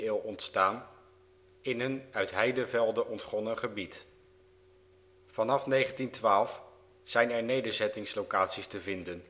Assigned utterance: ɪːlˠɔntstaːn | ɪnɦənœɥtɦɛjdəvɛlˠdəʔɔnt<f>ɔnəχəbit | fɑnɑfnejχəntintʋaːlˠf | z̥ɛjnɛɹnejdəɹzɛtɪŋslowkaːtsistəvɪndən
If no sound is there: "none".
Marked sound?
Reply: χ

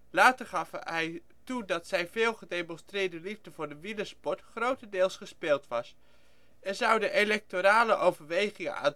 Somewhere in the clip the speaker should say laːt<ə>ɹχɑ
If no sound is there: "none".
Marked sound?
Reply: ə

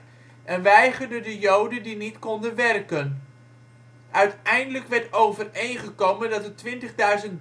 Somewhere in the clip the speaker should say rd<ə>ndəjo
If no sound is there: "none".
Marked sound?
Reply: ə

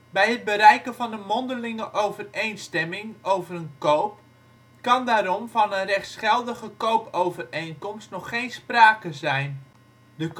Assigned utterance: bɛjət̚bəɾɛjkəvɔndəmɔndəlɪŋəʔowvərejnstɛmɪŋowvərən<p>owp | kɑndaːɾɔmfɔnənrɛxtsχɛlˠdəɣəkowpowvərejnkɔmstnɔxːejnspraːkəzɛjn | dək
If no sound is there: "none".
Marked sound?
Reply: k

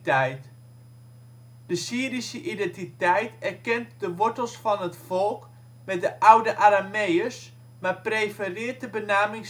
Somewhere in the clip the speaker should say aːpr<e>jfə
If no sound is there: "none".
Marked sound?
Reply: e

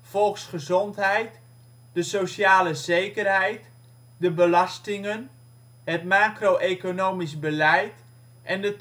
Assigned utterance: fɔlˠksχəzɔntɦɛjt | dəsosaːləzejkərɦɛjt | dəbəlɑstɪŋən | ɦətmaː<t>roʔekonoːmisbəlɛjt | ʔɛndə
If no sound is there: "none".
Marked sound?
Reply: k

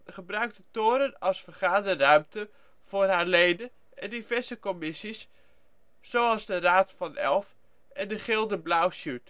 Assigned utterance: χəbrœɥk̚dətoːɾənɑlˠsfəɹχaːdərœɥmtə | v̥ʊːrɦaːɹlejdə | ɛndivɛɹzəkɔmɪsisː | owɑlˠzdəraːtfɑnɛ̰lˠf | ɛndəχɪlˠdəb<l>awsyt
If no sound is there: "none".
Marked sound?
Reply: l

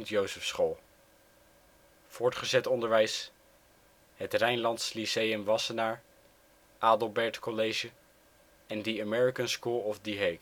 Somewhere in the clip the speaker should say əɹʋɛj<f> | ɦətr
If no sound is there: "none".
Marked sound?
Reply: s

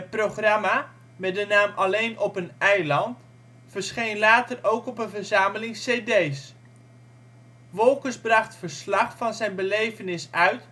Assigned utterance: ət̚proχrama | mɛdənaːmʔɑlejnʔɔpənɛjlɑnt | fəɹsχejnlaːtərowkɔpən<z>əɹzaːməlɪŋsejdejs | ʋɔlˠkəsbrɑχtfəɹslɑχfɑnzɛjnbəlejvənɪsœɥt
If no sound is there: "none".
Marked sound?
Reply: v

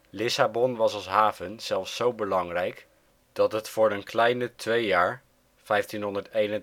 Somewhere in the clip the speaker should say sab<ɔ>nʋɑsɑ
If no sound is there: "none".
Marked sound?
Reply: ɔ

